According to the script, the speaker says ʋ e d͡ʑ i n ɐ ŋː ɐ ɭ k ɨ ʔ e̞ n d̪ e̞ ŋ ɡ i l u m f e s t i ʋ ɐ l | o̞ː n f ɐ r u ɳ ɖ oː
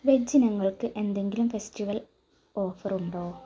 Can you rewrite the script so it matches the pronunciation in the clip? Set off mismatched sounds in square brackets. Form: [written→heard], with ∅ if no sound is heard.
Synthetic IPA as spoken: ʋ e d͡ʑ i n ɐ ŋː ɐ ɭ k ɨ ʔ e̞ n d̪ e̞ ŋ ɡ i l u m f e s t i ʋ ɐ l | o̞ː [n→∅] f ɐ r u ɳ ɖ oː